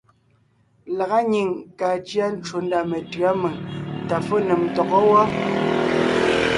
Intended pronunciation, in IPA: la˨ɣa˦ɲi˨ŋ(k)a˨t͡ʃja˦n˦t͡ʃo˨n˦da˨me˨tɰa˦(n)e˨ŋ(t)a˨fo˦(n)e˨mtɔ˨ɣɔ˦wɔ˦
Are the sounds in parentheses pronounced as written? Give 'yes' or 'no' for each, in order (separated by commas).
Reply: yes, no, yes, yes